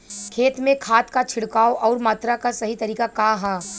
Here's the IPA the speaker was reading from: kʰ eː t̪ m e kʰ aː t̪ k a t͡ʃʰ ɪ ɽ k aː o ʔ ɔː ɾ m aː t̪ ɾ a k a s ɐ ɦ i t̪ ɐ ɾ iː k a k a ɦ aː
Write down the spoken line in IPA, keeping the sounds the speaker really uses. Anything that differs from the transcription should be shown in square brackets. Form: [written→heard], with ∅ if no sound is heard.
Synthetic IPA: kʰ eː t̪ m [e→ẽ] kʰ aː t̪ k a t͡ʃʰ ɪ ɽ k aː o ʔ ɔː ɾ m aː t̪ ɾ a k a s ɐ ɦ i t̪ ɐ ɾ iː k a k a ɦ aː